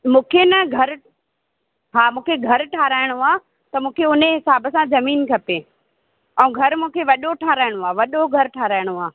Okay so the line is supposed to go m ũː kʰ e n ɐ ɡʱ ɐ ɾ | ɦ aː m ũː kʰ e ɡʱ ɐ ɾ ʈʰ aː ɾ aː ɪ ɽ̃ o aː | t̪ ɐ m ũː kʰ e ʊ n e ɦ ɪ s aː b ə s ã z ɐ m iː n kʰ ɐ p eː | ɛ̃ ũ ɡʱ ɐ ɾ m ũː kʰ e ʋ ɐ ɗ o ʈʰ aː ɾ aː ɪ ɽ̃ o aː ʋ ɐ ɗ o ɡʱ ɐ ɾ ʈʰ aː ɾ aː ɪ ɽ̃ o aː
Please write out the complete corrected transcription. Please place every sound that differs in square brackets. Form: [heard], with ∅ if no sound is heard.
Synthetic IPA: m ũː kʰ e n ɐ ɡʱ ɐ ɾ | ɦ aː m ũː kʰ e ɡʱ ɐ ɾ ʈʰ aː ɾ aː ɪ ɽ̃ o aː | t̪ ɐ m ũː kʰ e ʊ n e ɦ ɪ s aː b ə s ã z ɐ m iː n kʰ ɐ p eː | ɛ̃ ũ ɡʱ ɐ ɾ m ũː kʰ e ʋ ɐ ɗ o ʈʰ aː ɾ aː ɪ ɽ̃ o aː ʋ ɐ ɗ o ɡʱ ɐ ɾ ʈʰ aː ɾ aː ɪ ɽ̃ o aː

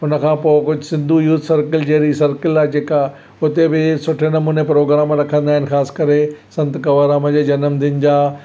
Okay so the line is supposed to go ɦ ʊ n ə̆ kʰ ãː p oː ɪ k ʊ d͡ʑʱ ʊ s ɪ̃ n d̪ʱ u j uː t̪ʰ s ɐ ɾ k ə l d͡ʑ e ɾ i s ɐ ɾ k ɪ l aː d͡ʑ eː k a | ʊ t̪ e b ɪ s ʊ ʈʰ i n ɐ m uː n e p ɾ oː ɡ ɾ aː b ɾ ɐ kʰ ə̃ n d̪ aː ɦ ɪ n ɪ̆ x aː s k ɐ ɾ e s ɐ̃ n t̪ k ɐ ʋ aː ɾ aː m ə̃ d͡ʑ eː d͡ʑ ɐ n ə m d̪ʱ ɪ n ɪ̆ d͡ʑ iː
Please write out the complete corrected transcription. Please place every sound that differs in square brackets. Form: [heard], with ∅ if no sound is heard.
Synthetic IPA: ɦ ʊ n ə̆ kʰ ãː p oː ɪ k ʊ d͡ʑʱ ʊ s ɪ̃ n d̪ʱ u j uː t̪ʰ s ɐ ɾ k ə l d͡ʑ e ɾ i s ɐ ɾ k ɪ l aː d͡ʑ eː k a | ʊ t̪ e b ɪ s ʊ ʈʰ [e] n ɐ m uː n e p ɾ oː ɡ ɾ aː [m] ɾ ɐ kʰ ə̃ n d̪ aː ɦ ɪ n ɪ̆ x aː s k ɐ ɾ e s ɐ̃ n t̪ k ɐ ʋ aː ɾ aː m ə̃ d͡ʑ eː d͡ʑ ɐ n ə m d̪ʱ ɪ n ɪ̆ d͡ʑ [aː]

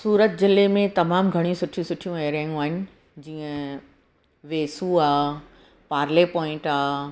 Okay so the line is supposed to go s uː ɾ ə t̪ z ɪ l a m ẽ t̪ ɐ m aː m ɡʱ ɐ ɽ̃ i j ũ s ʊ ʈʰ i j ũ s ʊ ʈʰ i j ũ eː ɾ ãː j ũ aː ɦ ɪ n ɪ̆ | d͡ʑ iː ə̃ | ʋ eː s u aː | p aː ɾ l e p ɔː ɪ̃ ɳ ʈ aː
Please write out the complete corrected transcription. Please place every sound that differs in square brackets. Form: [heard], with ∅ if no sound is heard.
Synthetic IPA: s uː ɾ ə t̪ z ɪ l [e] m ẽ t̪ ɐ m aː m ɡʱ ɐ ɽ̃ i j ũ s ʊ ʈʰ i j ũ s ʊ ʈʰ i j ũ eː ɾ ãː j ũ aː ɦ ɪ n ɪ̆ | d͡ʑ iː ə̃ | ʋ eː s u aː | p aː ɾ l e p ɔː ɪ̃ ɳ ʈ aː

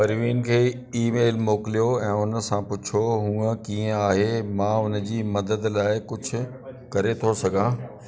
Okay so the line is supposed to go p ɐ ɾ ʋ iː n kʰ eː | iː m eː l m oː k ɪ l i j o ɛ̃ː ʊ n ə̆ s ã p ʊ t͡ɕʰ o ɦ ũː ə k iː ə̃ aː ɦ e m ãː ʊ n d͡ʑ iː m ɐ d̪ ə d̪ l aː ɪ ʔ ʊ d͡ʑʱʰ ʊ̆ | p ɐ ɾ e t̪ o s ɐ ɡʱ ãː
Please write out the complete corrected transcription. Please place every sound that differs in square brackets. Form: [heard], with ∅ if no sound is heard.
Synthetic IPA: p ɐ ɾ ʋ iː n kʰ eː | iː m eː l m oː k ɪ l i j o ɛ̃ː ʊ n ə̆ s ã p ʊ t͡ɕʰ o ɦ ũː ə k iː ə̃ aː ɦ e m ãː ʊ n d͡ʑ iː m ɐ d̪ ə d̪ l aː ɪ [k] ʊ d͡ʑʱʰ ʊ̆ | [k] ɐ ɾ e [t̪ʰ] o s ɐ ɡʱ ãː

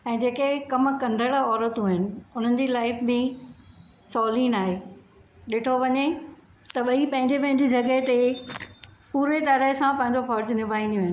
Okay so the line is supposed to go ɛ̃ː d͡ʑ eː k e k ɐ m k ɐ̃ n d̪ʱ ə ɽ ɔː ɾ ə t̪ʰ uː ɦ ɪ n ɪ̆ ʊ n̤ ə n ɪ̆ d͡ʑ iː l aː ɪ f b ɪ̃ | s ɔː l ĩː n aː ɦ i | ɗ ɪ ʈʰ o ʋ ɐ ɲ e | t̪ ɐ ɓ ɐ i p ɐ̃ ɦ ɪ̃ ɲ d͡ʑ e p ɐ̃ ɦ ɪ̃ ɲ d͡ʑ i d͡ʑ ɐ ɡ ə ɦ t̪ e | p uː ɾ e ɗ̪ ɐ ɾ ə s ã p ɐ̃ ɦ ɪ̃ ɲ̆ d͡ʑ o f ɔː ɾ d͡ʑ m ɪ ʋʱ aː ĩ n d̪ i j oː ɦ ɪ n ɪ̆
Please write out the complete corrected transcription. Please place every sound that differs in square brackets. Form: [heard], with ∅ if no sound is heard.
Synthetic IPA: ɛ̃ː d͡ʑ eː k e k ɐ m k ɐ̃ n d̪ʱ ə ɽ ɔː ɾ ə [t̪] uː ɦ ɪ n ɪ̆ ʊ n̤ ə n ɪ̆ d͡ʑ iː l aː ɪ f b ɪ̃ | s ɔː l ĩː n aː ɦ [e] | ɗ ɪ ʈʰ o ʋ ɐ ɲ e | t̪ ɐ ɓ ɐ i p ɐ̃ ɦ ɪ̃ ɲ d͡ʑ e p ɐ̃ ɦ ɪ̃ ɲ d͡ʑ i d͡ʑ ɐ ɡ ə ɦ t̪ e | p uː ɾ e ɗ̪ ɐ ɾ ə s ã p ɐ̃ ɦ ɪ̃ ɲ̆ d͡ʑ o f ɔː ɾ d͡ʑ [n] ɪ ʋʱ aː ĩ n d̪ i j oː ɦ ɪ n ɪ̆

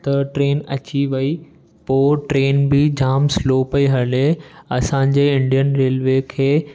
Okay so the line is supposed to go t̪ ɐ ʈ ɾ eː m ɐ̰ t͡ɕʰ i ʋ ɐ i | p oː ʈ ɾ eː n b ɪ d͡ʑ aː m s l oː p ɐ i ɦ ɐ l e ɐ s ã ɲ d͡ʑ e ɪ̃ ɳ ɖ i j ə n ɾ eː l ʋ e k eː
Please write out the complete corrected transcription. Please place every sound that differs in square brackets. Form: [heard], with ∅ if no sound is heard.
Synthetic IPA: t̪ ɐ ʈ ɾ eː [n] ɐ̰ [t͡ɕ] i ʋ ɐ i | p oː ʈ ɾ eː n b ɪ d͡ʑ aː m s l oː p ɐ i ɦ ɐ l e ɐ s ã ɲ d͡ʑ e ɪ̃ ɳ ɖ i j ə n ɾ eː l ʋ e [kʰ] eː

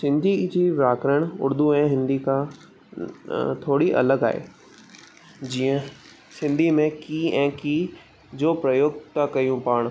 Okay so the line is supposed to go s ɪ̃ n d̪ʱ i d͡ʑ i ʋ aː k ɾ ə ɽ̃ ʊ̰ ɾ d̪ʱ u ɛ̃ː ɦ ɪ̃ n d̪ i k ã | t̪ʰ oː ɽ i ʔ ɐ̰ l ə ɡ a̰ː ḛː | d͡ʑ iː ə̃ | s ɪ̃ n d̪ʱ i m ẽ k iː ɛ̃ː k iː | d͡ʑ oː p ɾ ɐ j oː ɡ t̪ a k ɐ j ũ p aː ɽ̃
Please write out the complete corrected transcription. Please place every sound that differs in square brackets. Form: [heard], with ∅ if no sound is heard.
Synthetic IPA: s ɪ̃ n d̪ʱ i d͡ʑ i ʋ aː k ɾ ə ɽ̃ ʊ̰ ɾ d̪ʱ u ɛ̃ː ɦ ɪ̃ n d̪ i k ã | t̪ʰ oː ɽ i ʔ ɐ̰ l ə ɡ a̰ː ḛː | d͡ʑ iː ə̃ | s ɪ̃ n d̪ʱ i m ẽ k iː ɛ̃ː k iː | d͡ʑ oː p ɾ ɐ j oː ɡ t̪ a k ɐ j ũ p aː ɽ̃

